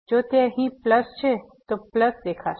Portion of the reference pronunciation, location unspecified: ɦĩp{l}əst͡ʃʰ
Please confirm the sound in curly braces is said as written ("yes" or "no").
yes